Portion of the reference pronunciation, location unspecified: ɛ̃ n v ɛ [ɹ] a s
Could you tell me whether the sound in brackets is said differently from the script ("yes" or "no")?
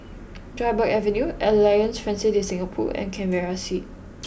no